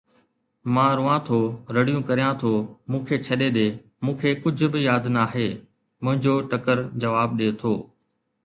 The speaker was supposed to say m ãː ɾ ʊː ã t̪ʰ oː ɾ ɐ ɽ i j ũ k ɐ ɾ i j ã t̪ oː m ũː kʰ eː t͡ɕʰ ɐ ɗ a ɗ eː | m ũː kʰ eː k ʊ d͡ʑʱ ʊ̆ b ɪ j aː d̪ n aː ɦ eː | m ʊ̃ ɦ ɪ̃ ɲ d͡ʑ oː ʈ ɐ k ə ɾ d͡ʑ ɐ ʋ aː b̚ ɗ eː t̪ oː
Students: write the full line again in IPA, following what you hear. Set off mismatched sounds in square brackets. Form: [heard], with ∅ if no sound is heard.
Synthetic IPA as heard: m ãː ɾ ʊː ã t̪ʰ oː ɾ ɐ ɽ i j ũ k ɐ ɾ i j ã [t̪ʰ] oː m ũː kʰ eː t͡ɕʰ ɐ ɗ [e] ɗ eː | m ũː kʰ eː k ʊ d͡ʑʱ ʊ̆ b ɪ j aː d̪ n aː ɦ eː | m ʊ̃ ɦ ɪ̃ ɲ d͡ʑ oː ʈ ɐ k ə ɾ d͡ʑ ɐ ʋ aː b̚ ɗ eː [t̪ʰ] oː